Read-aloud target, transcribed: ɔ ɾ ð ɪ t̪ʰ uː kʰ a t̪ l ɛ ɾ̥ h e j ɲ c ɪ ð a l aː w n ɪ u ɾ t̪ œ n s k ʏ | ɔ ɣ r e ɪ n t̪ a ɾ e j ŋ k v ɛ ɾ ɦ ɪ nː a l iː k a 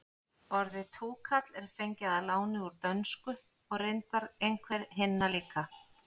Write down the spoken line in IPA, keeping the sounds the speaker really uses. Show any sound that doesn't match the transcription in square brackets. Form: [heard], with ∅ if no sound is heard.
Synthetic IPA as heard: ɔ ɾ ð ɪ t̪ʰ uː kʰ a t̪ l ɛ ɾ̥ [f] e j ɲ c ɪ ð a l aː w n ɪ u ɾ t̪ œ n s k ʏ | ɔ ɣ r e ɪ n t̪ a ɾ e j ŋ [kʰ] v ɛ ɾ ɦ ɪ nː a l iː k a